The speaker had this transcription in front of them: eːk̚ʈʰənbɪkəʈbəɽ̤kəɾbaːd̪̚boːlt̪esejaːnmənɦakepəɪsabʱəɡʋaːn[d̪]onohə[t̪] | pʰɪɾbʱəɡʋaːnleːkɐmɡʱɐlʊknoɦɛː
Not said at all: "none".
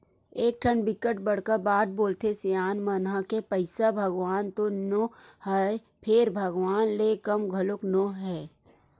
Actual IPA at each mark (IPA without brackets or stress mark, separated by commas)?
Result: t̪, none